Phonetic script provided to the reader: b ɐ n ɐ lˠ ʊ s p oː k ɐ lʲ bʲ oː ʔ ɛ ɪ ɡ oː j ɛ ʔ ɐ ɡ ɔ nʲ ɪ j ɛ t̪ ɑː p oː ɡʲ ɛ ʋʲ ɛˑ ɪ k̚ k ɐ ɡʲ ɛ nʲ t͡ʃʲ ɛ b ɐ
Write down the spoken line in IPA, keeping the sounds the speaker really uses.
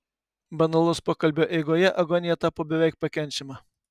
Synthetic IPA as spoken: b ɐ n ɐ lˠ ʊ s p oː k ɐ lʲ bʲ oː ʔ ɛ ɪ ɡ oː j ɛ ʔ ɐ ɡ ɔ nʲ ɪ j ɛ t̪ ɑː p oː bʲ ɛ ʋʲ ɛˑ ɪ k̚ p ɐ kʲ ɛ nʲ t͡ʃʲ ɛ m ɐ